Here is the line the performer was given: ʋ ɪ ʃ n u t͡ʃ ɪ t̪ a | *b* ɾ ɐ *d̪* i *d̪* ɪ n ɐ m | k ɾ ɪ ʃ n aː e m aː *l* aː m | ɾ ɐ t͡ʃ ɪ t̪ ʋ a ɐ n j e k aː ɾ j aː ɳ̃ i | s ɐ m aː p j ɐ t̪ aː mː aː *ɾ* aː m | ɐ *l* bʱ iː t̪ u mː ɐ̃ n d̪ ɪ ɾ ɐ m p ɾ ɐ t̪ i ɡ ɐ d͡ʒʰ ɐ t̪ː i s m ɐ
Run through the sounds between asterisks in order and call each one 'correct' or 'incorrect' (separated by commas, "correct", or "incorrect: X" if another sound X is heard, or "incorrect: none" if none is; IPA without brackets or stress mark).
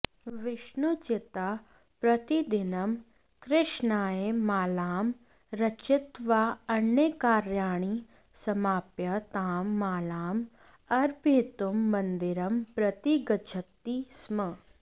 incorrect: p, incorrect: t̪, correct, correct, incorrect: l, incorrect: ɾ